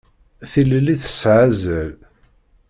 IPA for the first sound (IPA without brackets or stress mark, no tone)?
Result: θ